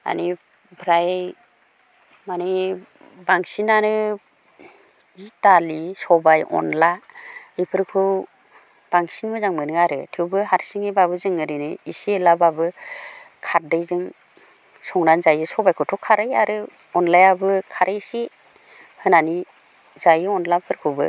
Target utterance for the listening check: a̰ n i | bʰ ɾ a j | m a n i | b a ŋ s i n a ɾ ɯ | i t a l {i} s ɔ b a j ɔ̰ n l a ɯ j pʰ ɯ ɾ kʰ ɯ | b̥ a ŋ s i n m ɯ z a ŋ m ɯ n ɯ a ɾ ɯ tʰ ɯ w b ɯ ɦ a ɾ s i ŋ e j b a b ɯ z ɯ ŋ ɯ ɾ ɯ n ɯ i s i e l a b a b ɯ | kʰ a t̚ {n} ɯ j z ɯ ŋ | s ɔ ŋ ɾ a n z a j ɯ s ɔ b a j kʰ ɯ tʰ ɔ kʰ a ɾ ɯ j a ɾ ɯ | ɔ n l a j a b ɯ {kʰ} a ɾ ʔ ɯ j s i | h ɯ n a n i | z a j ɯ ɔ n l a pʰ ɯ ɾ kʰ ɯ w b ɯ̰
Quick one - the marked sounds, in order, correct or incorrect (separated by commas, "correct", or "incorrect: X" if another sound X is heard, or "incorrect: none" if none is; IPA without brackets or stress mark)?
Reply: correct, incorrect: d, correct